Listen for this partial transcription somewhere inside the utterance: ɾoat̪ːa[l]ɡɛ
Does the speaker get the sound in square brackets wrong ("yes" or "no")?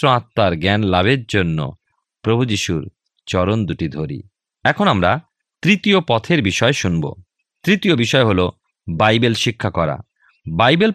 yes